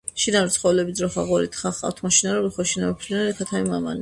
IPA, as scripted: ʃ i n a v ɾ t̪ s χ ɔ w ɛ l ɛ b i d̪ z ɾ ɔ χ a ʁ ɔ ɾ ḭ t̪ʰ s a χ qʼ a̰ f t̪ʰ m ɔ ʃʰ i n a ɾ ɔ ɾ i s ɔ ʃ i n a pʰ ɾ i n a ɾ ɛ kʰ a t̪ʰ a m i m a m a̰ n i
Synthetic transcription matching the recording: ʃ i n a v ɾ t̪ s χ ɔ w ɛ l ɛ b i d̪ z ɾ ɔ χ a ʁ ɔ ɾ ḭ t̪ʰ χ a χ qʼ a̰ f t̪ʰ m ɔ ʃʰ i n a ɾ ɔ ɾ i χ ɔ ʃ i n a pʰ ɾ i n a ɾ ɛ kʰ a t̪ʰ a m i m a m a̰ n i